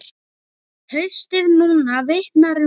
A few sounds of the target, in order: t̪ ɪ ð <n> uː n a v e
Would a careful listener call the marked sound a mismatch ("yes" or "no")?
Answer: no